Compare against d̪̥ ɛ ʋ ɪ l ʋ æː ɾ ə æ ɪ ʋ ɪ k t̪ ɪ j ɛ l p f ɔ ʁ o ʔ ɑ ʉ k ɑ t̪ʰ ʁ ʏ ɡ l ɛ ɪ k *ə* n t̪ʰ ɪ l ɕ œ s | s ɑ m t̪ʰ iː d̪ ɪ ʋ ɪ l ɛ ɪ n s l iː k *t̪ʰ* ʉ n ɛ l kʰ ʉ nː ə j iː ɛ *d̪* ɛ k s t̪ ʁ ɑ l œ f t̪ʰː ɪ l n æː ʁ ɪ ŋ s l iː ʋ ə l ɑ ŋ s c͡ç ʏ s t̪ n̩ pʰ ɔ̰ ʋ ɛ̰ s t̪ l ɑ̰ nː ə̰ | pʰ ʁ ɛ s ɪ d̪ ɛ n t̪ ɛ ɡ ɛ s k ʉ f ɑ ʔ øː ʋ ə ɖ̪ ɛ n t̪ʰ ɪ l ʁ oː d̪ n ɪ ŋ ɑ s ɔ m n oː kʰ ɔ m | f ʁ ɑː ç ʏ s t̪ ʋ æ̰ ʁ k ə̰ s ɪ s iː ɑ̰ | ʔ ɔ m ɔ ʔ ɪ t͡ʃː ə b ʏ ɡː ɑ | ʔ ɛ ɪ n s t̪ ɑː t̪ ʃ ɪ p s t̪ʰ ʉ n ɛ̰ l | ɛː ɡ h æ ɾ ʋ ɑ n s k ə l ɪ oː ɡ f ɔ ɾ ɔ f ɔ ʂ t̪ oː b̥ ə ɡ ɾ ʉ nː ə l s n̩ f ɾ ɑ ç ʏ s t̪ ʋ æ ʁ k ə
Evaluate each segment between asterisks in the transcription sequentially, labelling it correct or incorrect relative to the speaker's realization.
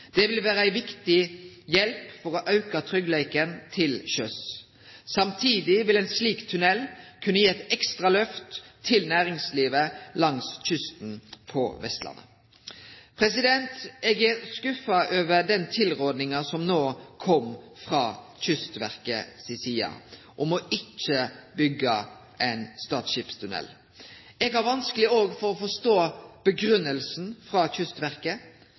correct, correct, incorrect: t̪

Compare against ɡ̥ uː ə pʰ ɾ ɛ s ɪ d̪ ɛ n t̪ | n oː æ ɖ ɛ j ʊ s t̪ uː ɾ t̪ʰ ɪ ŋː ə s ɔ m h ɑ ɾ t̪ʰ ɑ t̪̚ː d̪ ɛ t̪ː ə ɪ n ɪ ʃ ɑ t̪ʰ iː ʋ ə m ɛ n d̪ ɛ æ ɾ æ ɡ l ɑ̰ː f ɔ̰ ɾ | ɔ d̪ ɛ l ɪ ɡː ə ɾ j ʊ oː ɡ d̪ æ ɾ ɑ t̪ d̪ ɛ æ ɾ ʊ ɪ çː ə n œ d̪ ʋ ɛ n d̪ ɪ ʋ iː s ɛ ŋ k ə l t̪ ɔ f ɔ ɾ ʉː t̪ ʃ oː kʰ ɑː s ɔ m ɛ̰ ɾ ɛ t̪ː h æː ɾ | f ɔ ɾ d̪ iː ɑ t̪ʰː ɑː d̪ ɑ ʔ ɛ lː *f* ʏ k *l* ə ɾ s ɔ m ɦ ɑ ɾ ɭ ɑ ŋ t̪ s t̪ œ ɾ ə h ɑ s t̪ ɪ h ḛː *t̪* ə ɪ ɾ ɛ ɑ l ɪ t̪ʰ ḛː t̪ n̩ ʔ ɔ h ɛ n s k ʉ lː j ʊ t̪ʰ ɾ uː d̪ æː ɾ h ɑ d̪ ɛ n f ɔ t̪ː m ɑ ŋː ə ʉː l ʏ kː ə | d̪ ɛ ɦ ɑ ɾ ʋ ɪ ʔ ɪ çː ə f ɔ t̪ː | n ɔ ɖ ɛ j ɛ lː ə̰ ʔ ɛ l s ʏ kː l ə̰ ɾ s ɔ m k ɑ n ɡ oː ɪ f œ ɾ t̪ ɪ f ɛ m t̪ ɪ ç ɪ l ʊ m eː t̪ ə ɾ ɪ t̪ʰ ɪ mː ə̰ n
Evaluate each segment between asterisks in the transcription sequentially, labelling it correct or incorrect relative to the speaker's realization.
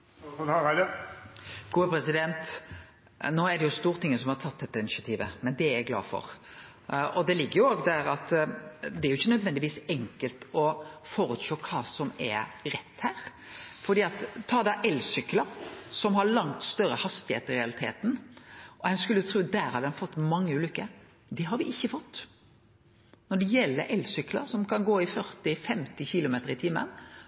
incorrect: s, correct, correct

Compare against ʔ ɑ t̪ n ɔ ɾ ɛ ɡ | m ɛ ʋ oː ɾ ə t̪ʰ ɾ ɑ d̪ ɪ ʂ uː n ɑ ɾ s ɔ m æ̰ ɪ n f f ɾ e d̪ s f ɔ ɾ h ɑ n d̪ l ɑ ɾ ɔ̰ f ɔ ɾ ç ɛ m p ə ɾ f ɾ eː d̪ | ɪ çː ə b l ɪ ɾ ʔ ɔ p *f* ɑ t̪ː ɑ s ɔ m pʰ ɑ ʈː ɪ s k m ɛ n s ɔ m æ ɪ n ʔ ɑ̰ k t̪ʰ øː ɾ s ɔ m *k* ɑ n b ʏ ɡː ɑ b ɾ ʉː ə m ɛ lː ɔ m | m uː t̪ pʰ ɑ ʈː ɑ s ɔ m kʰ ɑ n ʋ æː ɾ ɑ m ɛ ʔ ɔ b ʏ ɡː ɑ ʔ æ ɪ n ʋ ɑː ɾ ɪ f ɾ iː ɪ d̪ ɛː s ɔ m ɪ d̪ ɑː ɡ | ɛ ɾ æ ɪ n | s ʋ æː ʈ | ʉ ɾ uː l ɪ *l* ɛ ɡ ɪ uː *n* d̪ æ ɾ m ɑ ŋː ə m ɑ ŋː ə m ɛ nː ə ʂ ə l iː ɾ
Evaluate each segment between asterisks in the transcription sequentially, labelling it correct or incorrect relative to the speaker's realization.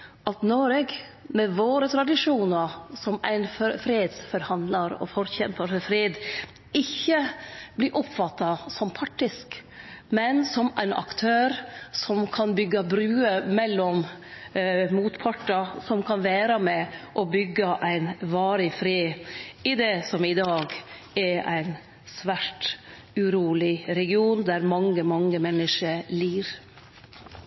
correct, incorrect: kʰ, incorrect: ɾ, correct

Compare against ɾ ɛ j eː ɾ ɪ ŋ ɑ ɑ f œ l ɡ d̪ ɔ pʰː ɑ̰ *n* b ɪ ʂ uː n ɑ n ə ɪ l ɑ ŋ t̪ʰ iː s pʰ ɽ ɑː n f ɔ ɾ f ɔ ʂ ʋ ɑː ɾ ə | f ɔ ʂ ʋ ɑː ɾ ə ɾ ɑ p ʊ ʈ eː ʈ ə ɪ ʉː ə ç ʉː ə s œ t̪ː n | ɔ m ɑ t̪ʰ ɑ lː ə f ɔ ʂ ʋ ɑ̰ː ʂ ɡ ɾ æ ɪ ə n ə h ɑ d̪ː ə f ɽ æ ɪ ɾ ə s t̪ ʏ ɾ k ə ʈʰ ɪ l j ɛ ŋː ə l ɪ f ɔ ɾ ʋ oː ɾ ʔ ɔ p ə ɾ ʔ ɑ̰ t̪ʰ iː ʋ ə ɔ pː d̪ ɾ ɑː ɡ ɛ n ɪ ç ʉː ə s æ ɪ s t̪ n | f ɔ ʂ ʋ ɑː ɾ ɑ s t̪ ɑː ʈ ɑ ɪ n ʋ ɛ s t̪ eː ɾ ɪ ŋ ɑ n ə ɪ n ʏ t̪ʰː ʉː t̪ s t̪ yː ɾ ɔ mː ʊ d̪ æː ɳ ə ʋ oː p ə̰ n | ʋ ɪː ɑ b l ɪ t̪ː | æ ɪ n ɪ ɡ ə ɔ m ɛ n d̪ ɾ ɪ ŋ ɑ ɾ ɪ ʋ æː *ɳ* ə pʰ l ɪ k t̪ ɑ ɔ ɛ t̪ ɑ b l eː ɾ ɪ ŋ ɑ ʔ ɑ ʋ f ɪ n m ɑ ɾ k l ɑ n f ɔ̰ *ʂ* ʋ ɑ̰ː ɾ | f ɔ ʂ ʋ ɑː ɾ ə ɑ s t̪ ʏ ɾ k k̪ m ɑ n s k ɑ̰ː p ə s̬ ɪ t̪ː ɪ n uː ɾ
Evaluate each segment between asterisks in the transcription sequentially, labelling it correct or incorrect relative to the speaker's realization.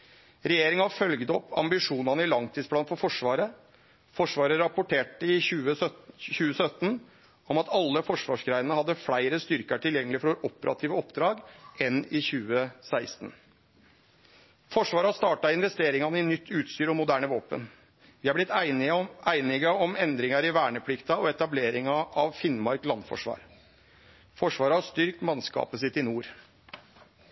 incorrect: m, correct, correct

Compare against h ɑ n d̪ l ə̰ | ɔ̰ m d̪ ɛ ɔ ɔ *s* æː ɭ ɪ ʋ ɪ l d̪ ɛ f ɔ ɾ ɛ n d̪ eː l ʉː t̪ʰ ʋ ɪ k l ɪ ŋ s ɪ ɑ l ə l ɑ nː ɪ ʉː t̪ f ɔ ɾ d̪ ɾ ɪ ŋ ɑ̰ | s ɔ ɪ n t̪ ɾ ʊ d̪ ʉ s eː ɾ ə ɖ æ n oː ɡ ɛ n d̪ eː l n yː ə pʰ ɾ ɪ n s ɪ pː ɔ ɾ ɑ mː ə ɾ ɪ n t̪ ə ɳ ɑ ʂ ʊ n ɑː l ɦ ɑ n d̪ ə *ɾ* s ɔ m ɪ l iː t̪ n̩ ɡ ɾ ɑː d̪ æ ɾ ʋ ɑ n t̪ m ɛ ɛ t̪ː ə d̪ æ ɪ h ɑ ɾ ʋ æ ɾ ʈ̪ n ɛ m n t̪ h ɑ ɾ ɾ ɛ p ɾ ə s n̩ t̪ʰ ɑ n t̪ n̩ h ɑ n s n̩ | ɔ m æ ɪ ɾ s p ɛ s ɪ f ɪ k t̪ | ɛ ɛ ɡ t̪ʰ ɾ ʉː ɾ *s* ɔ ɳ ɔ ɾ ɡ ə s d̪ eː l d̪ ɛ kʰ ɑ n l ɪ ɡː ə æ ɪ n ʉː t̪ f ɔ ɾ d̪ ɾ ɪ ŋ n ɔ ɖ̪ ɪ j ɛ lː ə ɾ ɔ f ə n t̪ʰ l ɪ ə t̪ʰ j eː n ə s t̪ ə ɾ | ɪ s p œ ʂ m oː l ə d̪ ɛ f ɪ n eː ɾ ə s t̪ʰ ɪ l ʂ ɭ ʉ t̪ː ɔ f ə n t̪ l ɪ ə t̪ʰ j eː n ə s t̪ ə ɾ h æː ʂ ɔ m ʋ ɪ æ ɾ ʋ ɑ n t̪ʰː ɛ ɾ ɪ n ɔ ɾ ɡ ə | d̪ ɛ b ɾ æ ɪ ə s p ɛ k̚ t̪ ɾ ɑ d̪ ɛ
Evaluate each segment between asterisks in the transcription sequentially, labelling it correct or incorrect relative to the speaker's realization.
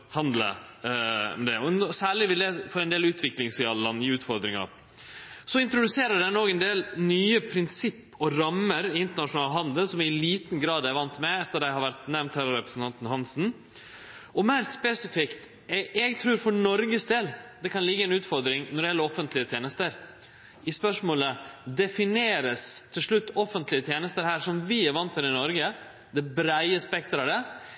correct, incorrect: l, incorrect: f

